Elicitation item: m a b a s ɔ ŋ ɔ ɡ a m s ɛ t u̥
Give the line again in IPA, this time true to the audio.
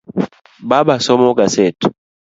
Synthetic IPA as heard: b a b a s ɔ m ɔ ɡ a s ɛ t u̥